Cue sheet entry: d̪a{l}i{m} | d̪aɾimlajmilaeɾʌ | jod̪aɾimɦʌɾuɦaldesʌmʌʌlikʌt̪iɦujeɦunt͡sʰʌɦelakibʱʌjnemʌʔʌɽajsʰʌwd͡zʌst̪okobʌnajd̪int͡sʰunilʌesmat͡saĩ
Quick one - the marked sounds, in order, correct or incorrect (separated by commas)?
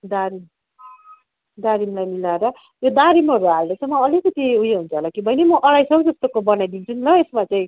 incorrect, correct